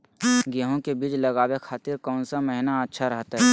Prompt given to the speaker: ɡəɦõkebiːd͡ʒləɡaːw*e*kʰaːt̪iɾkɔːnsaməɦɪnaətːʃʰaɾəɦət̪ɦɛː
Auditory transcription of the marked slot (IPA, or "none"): e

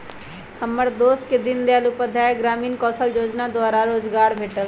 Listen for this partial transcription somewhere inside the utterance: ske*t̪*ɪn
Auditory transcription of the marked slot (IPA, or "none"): d̪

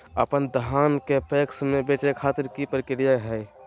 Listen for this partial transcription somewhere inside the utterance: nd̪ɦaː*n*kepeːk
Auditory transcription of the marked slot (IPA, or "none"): n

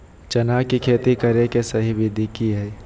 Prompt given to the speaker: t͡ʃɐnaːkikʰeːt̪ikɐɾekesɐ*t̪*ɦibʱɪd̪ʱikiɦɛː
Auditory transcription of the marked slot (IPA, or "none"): none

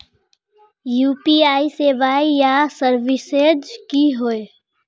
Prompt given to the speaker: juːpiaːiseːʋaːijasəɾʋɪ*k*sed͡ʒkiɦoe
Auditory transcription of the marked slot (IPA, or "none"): none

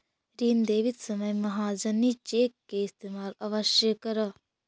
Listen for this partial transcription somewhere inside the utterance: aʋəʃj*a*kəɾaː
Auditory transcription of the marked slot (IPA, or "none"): ə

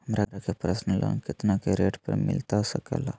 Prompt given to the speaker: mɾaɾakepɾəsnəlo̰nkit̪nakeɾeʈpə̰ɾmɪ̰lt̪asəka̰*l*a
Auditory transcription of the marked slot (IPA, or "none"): l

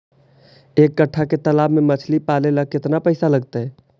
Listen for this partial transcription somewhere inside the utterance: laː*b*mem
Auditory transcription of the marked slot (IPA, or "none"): b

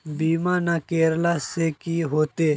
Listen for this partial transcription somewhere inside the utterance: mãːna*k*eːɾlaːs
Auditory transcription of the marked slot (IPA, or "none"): k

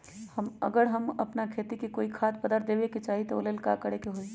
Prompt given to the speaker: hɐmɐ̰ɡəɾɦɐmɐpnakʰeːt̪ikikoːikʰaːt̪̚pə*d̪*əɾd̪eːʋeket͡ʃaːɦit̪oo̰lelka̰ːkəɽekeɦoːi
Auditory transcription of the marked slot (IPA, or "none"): d̪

